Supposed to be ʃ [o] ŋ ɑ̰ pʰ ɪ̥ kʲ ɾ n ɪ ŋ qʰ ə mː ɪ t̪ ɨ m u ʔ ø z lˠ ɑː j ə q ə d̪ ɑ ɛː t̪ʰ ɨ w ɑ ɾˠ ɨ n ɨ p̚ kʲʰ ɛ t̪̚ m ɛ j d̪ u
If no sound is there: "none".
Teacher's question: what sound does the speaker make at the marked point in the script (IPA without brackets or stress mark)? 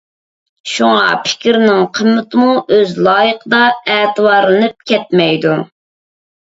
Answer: u